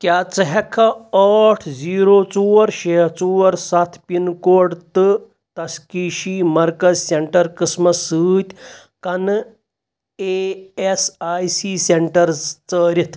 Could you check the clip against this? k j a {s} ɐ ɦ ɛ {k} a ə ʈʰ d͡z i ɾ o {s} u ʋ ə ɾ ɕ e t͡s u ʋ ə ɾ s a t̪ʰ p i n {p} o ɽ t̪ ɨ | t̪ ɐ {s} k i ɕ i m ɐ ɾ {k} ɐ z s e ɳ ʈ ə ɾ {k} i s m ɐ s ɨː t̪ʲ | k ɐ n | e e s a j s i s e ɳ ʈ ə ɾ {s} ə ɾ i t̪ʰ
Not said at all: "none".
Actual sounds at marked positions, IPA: t͡s, kʰ, t͡s, k, s, k, k, t͡s

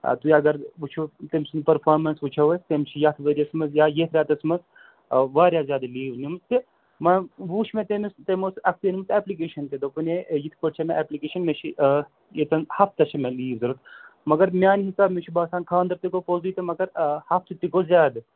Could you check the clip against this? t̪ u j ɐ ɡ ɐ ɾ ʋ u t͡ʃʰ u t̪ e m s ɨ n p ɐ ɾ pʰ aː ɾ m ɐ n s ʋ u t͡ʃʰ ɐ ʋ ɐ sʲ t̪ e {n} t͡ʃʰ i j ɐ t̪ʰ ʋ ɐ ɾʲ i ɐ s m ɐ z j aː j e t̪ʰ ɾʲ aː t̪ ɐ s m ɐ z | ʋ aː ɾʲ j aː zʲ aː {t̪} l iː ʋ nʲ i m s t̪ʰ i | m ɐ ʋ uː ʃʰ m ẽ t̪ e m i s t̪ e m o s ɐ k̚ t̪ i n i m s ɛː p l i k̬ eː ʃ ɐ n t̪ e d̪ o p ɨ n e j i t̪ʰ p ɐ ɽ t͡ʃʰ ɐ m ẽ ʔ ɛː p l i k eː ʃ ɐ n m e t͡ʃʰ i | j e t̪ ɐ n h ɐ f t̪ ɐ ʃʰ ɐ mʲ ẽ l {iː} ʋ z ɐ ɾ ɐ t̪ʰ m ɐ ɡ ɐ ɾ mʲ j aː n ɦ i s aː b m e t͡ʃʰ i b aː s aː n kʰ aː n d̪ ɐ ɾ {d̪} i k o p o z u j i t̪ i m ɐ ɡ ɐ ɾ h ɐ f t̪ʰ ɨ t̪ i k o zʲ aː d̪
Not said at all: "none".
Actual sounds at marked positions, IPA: m, d̪, iː, t̪

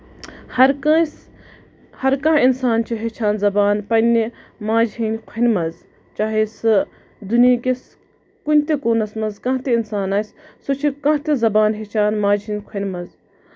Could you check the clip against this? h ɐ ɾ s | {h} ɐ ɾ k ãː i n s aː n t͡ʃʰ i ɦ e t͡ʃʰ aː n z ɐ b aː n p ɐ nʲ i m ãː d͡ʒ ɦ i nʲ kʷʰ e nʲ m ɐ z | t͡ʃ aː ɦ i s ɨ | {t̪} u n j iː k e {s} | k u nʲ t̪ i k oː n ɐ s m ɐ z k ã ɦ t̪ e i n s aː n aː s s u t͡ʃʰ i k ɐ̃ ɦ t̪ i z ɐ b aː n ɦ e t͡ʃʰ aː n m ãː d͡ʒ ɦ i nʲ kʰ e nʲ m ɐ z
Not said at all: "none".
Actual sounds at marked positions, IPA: h, d̪, s

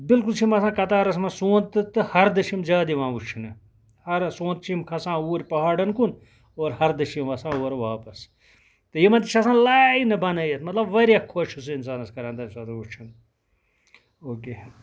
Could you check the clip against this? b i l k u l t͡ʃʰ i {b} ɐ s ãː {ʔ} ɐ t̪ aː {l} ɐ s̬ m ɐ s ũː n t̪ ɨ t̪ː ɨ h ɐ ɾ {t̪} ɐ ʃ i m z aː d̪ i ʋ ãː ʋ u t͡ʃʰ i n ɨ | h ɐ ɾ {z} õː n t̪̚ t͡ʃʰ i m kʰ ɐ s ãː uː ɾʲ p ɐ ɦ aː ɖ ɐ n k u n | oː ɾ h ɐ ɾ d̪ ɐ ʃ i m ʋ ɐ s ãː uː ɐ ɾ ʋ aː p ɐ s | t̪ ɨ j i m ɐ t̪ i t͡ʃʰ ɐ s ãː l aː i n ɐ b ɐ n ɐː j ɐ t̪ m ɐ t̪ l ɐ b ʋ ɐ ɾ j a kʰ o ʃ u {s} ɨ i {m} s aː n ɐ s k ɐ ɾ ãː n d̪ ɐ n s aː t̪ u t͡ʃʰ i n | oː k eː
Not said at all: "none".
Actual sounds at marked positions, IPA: m, k, ɾ, d̪, s, s, n

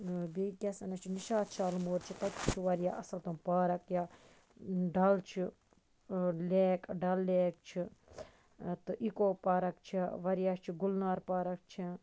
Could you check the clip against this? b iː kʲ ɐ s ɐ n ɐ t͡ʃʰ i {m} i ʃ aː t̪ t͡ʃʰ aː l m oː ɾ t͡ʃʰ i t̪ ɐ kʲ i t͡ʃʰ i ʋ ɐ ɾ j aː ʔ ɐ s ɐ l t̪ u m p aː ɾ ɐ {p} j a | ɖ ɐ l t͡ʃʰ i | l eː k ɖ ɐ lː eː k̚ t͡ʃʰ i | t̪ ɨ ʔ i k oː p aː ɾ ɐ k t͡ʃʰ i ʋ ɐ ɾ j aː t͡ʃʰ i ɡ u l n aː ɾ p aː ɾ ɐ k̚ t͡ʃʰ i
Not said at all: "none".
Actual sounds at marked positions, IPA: n, k

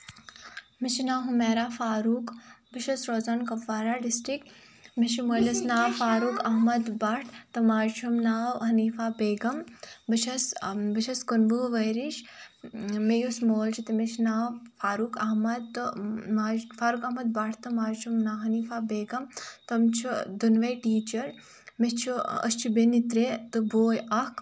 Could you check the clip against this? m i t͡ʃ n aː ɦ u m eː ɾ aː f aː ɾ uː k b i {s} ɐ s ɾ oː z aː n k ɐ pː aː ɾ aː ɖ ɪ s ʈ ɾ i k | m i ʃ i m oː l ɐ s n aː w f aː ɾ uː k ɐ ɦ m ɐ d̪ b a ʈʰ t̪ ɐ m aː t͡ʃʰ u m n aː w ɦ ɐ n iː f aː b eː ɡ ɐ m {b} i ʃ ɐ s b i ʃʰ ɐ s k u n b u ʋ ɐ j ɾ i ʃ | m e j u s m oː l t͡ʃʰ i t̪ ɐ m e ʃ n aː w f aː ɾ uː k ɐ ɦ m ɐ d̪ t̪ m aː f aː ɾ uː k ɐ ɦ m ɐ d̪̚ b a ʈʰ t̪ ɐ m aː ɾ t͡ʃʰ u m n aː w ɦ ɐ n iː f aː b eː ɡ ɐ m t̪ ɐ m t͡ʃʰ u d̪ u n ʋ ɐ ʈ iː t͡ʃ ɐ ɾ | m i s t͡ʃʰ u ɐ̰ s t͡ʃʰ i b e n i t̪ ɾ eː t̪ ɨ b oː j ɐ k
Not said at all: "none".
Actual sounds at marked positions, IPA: ʃ, b

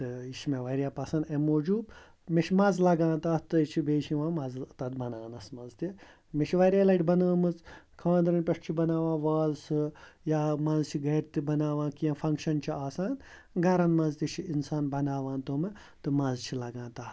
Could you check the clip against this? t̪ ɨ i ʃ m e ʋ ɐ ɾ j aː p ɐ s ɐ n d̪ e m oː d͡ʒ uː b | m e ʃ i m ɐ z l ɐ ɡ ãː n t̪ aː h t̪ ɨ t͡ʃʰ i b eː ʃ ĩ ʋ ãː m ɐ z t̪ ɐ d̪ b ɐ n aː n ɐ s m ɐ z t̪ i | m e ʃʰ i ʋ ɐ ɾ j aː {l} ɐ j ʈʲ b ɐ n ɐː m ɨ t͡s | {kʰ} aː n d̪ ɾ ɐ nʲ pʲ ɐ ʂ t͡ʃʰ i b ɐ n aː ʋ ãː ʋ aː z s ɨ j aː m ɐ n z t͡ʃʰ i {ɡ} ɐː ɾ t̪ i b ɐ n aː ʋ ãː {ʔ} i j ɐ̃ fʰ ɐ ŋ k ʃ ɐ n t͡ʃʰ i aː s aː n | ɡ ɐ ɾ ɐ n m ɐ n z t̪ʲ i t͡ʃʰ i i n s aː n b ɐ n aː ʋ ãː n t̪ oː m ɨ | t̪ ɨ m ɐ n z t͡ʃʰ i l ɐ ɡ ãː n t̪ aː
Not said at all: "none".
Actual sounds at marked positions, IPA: l, kʰ, ɡ, k

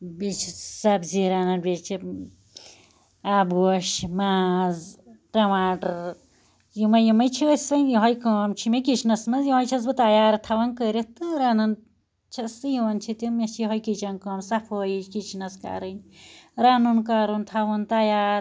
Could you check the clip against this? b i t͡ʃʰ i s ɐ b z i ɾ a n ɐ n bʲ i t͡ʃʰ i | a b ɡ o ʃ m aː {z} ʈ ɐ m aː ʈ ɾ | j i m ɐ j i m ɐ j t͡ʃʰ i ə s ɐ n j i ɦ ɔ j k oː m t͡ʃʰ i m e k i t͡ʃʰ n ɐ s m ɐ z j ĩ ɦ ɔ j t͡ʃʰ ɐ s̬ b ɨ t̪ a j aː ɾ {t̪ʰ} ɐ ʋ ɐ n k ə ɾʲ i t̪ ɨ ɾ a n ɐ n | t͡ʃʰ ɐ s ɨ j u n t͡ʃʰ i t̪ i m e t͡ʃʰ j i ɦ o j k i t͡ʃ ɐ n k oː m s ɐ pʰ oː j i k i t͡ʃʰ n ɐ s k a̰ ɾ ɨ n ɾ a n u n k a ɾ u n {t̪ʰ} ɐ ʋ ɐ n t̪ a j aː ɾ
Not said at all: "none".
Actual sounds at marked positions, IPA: z, t̪ʰ, t̪ʰ

